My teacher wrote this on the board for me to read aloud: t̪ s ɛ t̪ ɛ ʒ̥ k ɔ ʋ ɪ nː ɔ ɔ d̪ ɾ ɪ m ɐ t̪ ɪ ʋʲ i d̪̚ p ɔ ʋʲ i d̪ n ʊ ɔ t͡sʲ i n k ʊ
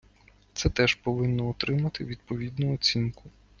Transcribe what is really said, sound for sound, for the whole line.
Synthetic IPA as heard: t̪ s ɛ t̪ ɛ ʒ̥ p ɔ ʋ ɪ nː ɔ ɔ t̪ ɾ ɪ m ɐ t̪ ɪ ʋʲ i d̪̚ p ɔ ʋʲ i d̪ n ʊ ɔ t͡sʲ i n k ʊ

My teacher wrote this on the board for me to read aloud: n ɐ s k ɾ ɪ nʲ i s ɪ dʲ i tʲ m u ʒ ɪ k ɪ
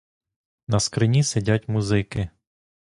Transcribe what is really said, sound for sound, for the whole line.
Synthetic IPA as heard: n ɐ s k ɾ ɪ nʲ i s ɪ dʲ a tʲ m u z ɪ k ɪ

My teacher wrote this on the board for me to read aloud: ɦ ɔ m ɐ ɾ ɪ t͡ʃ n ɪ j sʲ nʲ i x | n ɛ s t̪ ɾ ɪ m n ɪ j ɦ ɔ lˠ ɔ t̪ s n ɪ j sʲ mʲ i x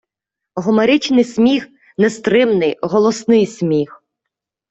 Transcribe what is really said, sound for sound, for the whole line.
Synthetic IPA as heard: ɦ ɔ m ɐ ɾ ɪ t͡ʃ n ɪ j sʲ mʲ i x | n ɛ s t̪ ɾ ɪ m n ɪ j ɦ ɔ lˠ ɔ s n ɪ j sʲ mʲ i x

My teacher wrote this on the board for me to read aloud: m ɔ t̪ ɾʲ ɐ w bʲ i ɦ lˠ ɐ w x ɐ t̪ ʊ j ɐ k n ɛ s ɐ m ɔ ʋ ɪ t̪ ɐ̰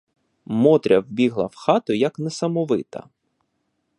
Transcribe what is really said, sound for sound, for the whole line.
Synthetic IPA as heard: m ɔ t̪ ɾʲ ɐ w bʲ i ɦ lˠ ɐ w x ɑ t̪ ʊ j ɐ k n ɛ s ɐ m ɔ ʋ ɪ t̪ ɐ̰

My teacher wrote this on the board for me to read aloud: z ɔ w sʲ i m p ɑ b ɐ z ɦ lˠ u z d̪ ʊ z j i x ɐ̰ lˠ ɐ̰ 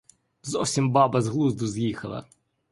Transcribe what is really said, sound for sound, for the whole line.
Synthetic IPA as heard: z ɔ w sʲ i m b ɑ b ɐ z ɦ lˠ u z d̪ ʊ z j i x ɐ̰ lˠ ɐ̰

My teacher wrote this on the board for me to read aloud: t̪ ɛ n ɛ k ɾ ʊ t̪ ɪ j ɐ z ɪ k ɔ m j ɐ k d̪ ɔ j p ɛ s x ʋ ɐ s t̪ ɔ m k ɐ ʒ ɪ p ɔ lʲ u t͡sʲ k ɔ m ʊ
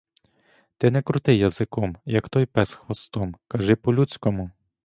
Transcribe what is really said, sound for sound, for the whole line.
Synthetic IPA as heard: t̪ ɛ n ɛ k ɾ ʊ t̪ ɪ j ɐ z ɪ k ɔ m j ɐ k t̪ ɔ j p ɛ s x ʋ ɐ s t̪ ɔ m k ɐ ʒ ɪ p ɔ lʲ u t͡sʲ k ɔ m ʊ

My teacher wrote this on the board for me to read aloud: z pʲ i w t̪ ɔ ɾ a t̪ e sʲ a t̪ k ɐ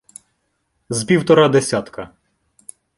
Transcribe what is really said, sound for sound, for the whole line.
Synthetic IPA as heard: z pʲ i w t̪ ɔ ɾ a d̪ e sʲ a t̪ k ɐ

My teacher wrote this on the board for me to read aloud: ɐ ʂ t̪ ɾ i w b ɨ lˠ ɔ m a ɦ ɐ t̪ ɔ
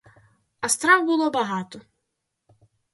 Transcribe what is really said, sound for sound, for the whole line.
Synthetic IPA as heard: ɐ s t̪ ɾ a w b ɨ lˠ ɔ b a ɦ a t̪ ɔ

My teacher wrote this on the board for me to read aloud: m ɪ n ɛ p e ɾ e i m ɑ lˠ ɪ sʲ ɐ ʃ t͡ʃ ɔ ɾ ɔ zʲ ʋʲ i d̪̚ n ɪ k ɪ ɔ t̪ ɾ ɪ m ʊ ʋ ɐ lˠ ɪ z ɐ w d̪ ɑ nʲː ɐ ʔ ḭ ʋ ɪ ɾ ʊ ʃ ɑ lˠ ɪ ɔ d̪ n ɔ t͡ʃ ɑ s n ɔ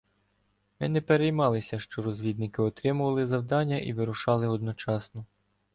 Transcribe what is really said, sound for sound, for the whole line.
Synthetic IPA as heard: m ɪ n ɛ p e ɾ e j m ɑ lˠ ɪ sʲ ɐ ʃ t͡ʃ ɔ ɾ ɔ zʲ ʋʲ i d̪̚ n ɪ k ɪ ɔ t̪ ɾ ɪ m ʊ ʋ ɐ lˠ ɪ z ɐ w d̪ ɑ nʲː ɐ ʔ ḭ ʋ ɪ ɾ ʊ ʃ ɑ lˠ ɪ ɔ d̪ n ɔ t͡ʃ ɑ s n ɔ

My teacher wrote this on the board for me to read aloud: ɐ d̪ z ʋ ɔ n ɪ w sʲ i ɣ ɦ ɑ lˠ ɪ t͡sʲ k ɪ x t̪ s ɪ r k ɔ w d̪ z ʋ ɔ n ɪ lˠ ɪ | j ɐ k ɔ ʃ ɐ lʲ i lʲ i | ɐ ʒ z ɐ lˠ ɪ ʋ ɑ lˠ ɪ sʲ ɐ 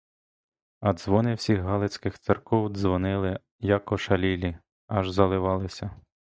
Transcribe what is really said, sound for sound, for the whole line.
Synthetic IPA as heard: ɐ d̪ z ʋ ɔ n ɪ w sʲ i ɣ ɦ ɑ lˠ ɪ t͡sʲ k ɪ x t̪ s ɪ r k ɔ w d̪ z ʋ ɔ n ɪ lˠ ɪ | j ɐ k ɔ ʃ ɐ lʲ i lʲ i | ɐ ʒ z ɐ lˠ ɪ ʋ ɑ lˠ ɪ sʲ ɐ

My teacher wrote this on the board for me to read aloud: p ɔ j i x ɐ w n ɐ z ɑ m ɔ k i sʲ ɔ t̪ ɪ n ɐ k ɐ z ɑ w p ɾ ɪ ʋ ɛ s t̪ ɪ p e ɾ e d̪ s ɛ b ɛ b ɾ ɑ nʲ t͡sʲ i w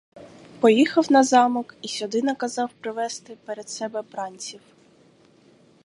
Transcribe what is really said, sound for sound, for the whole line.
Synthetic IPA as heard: p ɔ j i x ɐ w n ɐ z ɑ m ɔ k i sʲ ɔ d̪ ɪ n ɐ k ɐ z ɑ w p ɾ ɪ ʋ ɛ s t̪ ɪ p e ɾ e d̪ s ɛ b ɛ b ɾ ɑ nʲ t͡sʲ i w

